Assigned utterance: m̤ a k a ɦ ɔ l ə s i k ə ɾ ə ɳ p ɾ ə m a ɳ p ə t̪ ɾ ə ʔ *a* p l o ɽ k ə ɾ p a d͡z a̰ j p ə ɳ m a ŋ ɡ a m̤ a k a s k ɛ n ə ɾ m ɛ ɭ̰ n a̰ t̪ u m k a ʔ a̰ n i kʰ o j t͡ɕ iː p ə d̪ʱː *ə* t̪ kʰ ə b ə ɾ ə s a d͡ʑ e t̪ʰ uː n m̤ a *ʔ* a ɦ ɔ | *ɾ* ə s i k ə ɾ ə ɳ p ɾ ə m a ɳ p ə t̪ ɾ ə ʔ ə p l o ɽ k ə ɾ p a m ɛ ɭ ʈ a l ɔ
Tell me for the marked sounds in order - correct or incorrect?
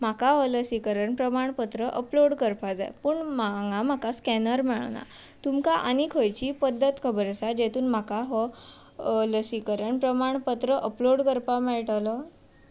incorrect: ə, correct, incorrect: k, incorrect: l

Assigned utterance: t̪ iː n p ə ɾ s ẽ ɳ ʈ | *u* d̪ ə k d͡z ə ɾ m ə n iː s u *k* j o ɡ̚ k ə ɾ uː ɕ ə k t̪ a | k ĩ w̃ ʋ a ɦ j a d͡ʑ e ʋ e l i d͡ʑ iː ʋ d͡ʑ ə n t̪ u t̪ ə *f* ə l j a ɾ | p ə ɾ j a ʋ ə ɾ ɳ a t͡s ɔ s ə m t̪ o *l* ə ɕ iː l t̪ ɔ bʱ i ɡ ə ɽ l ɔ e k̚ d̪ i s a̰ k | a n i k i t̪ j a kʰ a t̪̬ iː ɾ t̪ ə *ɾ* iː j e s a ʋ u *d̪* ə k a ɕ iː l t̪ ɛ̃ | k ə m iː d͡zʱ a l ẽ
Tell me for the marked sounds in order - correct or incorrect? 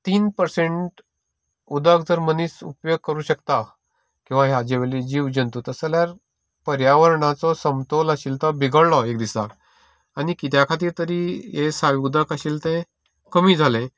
correct, incorrect: p, incorrect: s, correct, correct, correct

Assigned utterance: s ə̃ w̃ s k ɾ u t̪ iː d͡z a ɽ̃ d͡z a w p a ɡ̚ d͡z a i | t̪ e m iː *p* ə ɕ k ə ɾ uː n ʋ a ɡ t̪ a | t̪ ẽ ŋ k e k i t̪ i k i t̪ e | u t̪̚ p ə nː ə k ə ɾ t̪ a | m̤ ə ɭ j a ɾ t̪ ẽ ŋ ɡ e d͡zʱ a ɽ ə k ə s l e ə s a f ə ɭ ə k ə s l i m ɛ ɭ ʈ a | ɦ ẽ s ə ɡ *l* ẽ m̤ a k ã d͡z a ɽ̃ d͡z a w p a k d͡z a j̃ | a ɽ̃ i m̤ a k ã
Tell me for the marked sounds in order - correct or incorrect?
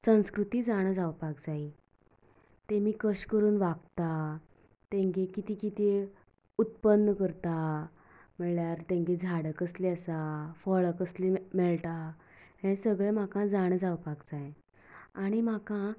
incorrect: k, incorrect: ɭ

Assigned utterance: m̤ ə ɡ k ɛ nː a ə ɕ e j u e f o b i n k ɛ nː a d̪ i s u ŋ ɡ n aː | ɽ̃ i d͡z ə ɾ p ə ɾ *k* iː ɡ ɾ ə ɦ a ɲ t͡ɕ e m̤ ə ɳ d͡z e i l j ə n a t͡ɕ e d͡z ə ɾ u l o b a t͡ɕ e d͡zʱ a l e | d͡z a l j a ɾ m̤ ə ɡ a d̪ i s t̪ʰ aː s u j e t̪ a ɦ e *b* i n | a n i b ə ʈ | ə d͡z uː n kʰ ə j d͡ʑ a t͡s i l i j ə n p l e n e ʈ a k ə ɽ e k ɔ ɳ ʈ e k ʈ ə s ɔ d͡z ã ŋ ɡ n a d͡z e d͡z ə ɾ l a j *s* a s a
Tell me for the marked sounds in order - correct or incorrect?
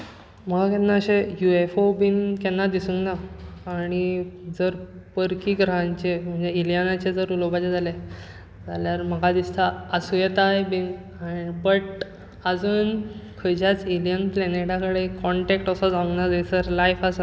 correct, correct, incorrect: f

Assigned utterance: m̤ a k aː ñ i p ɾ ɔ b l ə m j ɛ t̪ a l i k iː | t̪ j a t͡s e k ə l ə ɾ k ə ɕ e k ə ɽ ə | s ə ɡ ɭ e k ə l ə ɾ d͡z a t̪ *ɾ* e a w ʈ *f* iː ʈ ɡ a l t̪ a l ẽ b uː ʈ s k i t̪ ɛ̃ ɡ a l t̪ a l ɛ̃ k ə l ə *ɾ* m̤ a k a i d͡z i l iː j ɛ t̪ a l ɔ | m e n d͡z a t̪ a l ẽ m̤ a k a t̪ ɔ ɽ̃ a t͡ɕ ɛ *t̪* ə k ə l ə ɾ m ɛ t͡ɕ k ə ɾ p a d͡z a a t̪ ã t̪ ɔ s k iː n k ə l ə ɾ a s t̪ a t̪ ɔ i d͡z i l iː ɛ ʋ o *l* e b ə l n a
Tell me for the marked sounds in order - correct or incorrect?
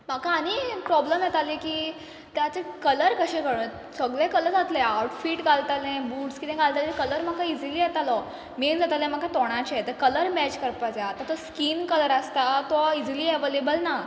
incorrect: l, correct, correct, correct, correct

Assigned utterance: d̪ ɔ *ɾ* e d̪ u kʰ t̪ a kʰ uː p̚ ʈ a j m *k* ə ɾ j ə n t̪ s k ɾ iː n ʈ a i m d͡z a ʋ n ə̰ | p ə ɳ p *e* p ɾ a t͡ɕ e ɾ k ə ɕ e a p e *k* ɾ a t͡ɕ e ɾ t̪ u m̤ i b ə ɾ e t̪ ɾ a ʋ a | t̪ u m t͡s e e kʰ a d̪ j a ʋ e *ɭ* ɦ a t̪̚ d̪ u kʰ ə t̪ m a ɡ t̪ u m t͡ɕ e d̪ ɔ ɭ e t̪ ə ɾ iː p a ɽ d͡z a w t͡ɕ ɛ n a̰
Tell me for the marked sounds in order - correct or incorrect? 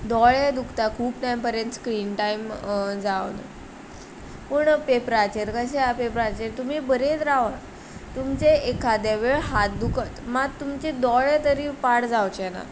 incorrect: ɭ, incorrect: p, correct, incorrect: p, correct

